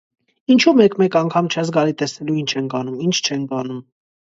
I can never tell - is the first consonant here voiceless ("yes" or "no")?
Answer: no